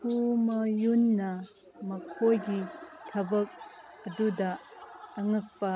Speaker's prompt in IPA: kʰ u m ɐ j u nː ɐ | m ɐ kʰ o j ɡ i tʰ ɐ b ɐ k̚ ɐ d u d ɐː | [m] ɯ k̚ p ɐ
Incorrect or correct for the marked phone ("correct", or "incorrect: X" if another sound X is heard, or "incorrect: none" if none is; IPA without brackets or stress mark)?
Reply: incorrect: ŋ